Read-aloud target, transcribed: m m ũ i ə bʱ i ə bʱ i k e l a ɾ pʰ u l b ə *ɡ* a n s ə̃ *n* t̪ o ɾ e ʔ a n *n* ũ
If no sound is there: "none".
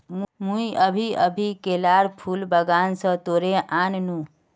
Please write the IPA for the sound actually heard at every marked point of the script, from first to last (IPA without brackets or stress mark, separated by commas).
ɡ, none, n